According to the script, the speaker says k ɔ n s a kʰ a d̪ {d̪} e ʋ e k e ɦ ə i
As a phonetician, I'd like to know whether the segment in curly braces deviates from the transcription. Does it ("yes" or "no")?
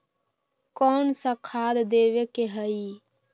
no